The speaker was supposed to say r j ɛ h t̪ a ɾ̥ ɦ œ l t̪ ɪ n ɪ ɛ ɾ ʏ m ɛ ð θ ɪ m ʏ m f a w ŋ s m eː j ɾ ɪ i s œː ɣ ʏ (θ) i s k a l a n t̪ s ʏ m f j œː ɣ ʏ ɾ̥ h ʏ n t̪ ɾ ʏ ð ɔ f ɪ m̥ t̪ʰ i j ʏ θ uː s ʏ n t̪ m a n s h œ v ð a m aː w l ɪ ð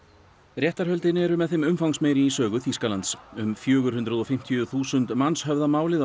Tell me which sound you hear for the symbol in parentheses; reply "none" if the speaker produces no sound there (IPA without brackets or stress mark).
θ